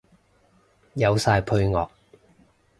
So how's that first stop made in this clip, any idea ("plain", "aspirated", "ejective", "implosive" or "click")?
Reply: aspirated